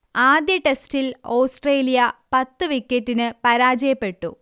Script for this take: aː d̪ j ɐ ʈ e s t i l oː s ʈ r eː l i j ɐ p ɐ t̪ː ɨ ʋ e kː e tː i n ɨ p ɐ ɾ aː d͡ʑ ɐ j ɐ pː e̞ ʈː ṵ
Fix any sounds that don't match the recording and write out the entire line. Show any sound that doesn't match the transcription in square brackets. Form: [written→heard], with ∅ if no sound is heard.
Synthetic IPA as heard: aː d̪ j ɐ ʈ e s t i l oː s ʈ r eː l i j ɐ p ɐ t̪ː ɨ ʋ [e→i] kː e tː i n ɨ p ɐ ɾ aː d͡ʑ ɐ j ɐ pː e̞ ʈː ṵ